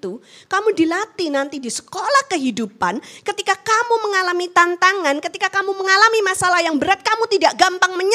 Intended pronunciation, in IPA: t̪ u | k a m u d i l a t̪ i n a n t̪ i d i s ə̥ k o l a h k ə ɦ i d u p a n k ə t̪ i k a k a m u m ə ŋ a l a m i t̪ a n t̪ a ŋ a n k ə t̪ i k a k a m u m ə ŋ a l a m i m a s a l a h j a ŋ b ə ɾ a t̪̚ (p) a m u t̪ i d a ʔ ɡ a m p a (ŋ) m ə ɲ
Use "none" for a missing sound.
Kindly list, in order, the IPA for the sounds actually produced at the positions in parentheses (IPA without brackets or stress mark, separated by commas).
k, ŋ